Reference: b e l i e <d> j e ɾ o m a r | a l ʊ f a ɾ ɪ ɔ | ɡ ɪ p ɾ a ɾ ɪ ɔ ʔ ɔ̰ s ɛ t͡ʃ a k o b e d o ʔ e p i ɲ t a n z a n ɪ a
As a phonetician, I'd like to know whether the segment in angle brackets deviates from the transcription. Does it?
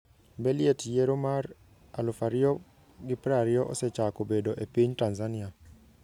yes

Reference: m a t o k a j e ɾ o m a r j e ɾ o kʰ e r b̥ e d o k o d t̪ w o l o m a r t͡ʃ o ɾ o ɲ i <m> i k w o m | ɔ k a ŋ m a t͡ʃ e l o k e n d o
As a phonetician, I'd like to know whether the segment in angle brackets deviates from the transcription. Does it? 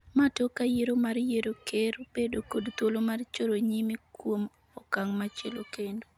no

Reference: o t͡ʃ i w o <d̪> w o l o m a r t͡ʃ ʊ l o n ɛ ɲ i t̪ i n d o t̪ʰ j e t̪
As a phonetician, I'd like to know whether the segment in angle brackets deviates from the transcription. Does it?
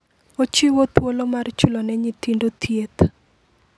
yes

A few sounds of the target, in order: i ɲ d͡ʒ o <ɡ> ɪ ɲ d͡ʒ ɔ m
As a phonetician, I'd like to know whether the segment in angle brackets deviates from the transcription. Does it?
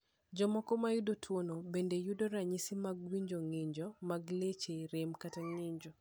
yes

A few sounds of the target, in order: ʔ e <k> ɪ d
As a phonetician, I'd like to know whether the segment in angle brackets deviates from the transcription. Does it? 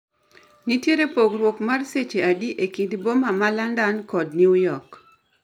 no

